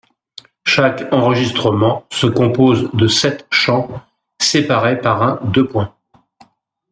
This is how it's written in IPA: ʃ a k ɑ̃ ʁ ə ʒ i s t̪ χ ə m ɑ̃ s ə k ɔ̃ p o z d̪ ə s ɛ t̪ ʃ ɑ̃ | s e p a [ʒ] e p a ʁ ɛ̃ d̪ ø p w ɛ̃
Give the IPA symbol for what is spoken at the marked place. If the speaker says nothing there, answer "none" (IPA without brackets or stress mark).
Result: ʁ